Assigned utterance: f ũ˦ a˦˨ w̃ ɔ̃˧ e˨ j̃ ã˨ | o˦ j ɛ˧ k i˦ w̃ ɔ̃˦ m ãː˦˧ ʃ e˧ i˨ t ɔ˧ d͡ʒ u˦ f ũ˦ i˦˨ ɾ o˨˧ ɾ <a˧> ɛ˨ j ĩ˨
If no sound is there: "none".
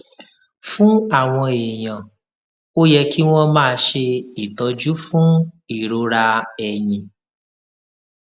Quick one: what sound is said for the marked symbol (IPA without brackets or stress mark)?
a˧